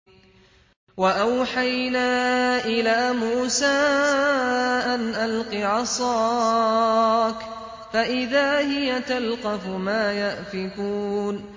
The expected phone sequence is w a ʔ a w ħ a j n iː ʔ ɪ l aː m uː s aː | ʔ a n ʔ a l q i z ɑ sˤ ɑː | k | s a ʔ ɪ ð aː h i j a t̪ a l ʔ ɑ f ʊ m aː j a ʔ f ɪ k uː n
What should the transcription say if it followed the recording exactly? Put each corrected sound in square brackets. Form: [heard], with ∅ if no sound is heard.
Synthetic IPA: w a ʔ a w ħ a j n [aː] ʔ ɪ l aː m uː s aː | ʔ a n ʔ a l q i [ʕ] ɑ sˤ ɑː | k | [f] a ʔ ɪ ð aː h [ɪ] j a t̪ a l [q] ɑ f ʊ m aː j a ʔ f ɪ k uː n